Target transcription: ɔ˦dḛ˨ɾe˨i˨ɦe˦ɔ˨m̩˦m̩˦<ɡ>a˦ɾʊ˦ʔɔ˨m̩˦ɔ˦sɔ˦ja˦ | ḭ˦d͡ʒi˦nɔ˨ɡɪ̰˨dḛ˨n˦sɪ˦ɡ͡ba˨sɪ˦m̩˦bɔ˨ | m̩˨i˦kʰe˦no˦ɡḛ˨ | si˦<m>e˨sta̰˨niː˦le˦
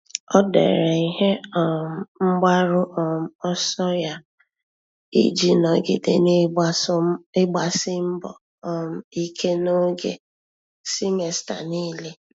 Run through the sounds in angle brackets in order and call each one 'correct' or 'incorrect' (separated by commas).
incorrect, correct